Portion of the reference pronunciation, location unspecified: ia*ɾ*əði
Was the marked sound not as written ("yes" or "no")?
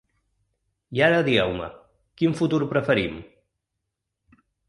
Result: no